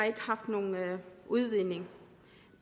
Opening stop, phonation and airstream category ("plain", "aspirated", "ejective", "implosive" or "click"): plain